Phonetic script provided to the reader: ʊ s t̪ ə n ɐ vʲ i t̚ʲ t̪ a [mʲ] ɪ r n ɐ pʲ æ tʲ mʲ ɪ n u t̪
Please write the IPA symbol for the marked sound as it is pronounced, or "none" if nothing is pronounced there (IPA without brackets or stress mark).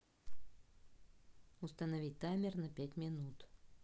mʲ